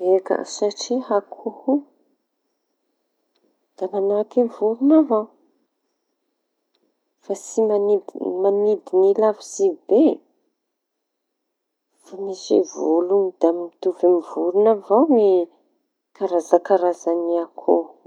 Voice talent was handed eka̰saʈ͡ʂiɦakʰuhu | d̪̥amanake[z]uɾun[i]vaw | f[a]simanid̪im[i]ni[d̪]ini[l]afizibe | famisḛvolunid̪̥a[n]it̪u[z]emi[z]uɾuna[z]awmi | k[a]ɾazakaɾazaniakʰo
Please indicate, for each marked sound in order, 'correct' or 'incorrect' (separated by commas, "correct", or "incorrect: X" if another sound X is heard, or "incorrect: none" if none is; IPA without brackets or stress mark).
incorrect: v, incorrect: a, correct, incorrect: a, correct, correct, incorrect: m, incorrect: v, incorrect: v, incorrect: v, correct